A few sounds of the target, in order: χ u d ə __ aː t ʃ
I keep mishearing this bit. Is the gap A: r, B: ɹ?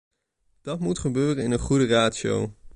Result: A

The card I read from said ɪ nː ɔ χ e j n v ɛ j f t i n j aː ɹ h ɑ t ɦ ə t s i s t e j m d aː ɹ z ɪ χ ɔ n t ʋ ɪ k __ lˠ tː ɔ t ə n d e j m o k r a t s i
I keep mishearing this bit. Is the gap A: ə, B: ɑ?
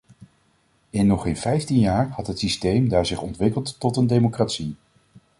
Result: A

